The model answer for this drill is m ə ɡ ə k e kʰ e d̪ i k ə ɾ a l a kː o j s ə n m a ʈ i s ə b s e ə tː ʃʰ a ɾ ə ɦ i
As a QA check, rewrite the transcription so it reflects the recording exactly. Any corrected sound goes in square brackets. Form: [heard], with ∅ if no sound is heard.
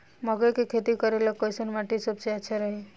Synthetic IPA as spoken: m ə ɡ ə k e kʰ e [t̪] i k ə ɾ [e] l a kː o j s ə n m a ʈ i s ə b s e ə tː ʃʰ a ɾ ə ɦ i